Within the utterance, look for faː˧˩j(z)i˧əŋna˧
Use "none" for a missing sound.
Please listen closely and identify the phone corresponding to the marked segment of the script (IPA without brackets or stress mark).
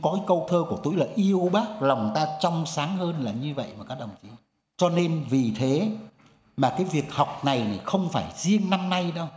z